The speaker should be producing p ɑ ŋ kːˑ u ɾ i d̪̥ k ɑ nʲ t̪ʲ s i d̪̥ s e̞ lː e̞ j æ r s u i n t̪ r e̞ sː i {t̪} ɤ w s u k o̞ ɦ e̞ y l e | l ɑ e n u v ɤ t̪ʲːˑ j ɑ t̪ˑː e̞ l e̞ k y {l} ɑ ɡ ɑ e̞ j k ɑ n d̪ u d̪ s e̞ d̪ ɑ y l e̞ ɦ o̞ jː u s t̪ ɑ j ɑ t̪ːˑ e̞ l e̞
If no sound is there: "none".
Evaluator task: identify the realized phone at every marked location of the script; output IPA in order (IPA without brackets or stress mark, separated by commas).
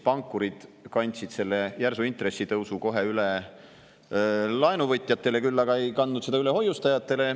t̪, lː